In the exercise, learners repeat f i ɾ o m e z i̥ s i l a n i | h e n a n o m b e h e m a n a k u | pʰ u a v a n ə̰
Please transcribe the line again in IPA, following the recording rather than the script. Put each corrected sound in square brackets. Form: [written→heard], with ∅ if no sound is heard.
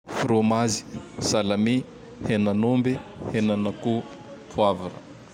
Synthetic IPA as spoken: f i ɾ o m [e→a] z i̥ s [i→a] l a [n→m] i | h e n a n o m b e h e [m→n] a n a k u | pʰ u a v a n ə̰